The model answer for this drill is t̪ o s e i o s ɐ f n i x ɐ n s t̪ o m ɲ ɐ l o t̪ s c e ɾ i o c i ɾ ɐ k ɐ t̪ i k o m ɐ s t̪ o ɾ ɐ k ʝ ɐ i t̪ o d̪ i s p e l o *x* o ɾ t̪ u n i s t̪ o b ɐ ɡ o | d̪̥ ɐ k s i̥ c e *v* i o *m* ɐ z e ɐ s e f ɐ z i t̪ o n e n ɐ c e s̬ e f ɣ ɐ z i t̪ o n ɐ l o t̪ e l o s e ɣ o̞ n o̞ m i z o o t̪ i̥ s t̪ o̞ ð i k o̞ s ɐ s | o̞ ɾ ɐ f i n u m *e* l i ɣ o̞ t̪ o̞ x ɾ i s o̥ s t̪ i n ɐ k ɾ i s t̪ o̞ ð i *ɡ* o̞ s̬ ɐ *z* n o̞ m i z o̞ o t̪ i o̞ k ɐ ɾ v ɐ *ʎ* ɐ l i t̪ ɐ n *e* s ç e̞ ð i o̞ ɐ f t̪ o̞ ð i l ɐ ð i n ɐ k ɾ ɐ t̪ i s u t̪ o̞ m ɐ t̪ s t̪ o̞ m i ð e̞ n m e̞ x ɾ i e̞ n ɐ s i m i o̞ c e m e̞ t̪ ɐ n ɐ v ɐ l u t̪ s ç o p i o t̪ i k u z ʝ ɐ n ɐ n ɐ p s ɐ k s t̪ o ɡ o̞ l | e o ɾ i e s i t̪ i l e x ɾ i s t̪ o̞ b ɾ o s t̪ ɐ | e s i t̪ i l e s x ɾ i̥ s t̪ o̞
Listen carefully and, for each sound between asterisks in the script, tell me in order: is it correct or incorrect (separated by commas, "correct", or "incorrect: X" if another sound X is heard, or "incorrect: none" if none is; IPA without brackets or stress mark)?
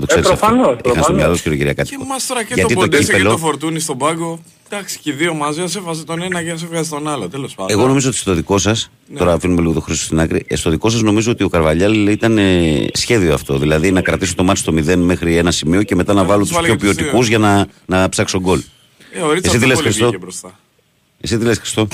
incorrect: f, incorrect: ð, correct, correct, incorrect: k, correct, correct, correct